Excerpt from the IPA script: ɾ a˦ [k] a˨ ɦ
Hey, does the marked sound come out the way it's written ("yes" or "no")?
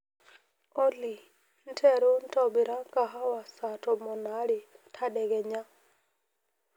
yes